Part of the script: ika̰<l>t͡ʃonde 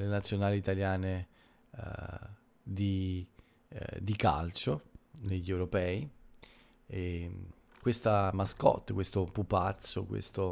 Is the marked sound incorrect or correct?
correct